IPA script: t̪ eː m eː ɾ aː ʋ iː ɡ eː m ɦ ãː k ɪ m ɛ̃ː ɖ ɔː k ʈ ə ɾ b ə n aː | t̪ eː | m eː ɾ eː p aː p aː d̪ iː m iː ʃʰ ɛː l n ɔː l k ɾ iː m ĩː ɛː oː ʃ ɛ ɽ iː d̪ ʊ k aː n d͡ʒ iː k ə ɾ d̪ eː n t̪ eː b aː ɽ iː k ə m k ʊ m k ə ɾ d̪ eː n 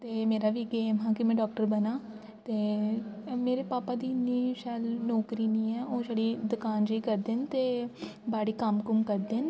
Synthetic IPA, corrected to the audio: t̪ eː m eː ɾ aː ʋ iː ɡ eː m ɦ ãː k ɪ m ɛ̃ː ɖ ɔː k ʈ ə ɾ b ə n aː | t̪ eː | m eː ɾ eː p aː p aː d̪ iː n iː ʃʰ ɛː l n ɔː k ɾ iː n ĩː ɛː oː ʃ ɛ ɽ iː d̪ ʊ k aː n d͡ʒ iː k ə ɾ d̪ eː n t̪ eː b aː ɽ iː k ə m k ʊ m k ə ɾ d̪ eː n